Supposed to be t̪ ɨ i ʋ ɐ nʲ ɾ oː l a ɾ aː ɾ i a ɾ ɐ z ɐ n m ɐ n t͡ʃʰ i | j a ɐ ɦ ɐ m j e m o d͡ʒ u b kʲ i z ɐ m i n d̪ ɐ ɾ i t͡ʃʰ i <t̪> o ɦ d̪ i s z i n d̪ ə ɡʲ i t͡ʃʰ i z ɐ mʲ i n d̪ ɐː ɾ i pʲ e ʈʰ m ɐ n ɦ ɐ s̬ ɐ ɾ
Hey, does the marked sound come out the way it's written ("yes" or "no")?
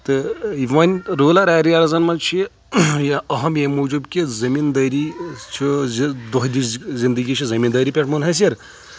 no